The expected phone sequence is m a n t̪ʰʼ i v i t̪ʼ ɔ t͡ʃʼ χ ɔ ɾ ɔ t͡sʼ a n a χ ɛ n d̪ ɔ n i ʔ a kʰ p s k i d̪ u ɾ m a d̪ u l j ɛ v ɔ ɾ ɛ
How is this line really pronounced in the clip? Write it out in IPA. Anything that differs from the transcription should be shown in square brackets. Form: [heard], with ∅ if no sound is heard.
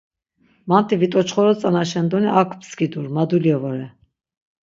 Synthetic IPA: m a n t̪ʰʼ i v i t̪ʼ ɔ [t͡ʃ] χ ɔ ɾ ɔ t͡sʼ a n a [ʃ] ɛ n d̪ ɔ n i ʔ a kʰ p s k i d̪ u ɾ m a d̪ u l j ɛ v ɔ ɾ ɛ